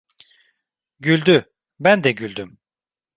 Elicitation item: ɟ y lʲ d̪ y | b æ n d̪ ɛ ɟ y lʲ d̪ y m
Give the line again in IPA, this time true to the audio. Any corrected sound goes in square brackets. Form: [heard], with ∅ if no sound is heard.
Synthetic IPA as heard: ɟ y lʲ d̪ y | b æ n d̪ ɛ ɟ y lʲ d̪ y m